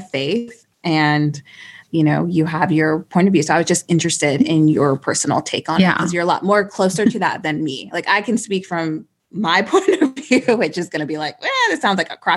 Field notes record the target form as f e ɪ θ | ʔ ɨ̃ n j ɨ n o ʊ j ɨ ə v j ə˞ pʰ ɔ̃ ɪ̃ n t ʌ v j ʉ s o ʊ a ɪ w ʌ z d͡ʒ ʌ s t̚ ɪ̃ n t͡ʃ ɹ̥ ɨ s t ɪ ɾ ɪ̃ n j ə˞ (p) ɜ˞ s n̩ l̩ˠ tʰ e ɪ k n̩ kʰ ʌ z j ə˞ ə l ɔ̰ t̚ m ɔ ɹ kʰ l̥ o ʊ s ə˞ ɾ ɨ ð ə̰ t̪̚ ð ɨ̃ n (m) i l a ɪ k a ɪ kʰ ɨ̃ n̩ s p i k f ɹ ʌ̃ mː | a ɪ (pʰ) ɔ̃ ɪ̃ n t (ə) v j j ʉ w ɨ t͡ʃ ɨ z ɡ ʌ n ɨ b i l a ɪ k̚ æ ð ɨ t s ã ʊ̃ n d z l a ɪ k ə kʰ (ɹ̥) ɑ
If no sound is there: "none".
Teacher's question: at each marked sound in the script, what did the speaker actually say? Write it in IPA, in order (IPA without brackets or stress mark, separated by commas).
pʰ, m, pʰ, ʌ, ɹ̥